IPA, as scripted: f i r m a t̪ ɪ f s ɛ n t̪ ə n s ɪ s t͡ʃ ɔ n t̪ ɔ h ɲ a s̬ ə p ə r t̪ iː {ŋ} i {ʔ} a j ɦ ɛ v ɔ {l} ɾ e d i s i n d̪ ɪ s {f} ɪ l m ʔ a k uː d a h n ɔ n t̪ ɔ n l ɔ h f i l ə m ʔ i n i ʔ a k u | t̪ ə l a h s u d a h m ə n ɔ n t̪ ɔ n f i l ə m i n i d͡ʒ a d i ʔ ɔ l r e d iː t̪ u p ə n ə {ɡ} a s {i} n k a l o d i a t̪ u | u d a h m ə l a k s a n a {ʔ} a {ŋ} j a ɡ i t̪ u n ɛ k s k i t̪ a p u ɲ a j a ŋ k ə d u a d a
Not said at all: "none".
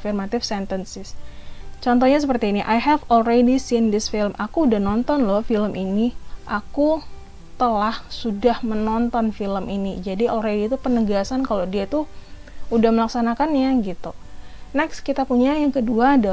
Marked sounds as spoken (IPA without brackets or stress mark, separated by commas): n, ʔ, l, f, ɡ, a, k, n